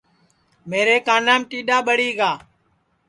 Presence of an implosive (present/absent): present